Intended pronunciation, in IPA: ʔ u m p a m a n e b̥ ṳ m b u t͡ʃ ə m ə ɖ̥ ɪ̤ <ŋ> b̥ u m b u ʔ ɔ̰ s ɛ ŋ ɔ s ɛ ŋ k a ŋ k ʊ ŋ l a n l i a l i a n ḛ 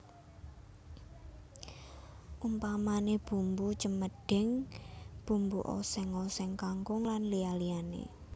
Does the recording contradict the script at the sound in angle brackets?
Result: no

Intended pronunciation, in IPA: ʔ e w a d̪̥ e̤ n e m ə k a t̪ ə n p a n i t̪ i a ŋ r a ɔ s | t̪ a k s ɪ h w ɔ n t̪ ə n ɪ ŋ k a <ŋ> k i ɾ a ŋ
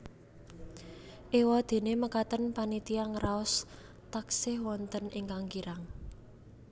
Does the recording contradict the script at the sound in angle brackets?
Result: no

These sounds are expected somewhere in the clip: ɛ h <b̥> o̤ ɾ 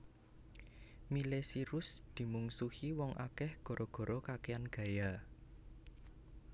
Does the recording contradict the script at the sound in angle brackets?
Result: yes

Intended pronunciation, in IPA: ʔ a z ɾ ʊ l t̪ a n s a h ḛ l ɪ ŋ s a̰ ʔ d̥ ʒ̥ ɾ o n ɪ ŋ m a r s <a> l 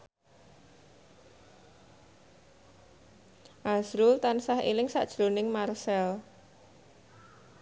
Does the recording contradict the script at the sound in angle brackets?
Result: yes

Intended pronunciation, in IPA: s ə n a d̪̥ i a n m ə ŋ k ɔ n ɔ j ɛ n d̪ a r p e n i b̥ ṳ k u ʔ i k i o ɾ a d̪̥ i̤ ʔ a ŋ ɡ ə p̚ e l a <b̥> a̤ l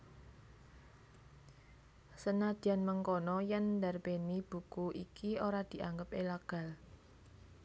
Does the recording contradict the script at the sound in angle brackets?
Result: yes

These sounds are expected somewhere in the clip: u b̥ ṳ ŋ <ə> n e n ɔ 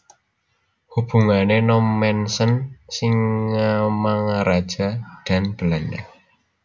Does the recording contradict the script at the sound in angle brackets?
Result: yes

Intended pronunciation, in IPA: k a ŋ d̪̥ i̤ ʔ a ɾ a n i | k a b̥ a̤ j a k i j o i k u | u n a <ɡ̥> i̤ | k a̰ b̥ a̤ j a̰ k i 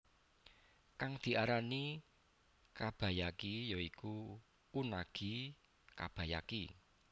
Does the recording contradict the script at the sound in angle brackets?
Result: no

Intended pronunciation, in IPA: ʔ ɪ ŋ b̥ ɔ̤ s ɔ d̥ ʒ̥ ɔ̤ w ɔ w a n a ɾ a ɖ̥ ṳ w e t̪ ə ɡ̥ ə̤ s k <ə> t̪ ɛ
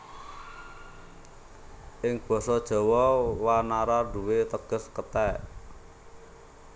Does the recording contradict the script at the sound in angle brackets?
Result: no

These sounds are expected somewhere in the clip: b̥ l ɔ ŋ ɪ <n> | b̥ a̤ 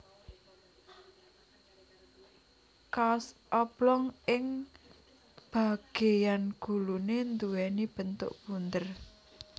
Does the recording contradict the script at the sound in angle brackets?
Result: yes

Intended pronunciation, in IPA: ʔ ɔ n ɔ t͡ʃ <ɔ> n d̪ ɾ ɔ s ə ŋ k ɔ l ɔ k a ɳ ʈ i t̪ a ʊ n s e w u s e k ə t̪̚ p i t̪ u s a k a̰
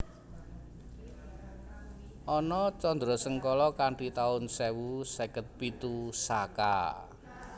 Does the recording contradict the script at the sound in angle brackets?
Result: no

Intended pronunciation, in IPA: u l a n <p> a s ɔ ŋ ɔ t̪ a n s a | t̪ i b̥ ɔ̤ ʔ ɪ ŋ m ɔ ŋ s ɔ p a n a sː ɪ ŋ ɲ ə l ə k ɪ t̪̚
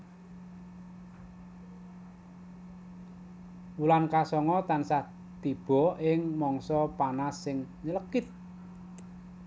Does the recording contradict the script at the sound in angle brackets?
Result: yes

